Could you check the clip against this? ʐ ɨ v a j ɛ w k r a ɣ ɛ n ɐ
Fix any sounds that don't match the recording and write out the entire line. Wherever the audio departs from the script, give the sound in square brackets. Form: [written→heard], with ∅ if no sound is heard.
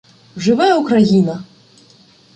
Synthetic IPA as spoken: ʐ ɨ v a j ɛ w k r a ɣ [ɛ→i] n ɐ